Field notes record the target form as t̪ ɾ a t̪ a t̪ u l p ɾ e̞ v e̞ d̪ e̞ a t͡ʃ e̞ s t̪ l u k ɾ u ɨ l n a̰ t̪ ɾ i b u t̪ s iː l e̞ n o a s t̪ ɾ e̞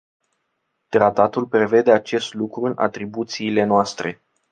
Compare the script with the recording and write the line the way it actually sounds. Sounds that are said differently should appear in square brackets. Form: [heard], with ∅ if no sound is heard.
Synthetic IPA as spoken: t̪ ɾ a t̪ a t̪ u l p ɾ e̞ v e̞ d̪ e̞ a t͡ʃ e̞ s t̪ l u k ɾ u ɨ [∅] n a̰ t̪ ɾ i b u t̪ s iː l e̞ n o a s t̪ ɾ e̞